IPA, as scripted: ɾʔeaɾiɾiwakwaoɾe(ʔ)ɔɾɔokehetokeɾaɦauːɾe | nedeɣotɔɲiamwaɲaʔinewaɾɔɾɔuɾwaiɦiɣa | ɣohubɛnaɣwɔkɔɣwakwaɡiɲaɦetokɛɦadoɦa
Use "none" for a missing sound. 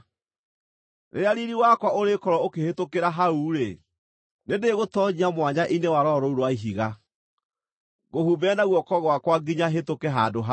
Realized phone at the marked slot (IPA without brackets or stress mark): k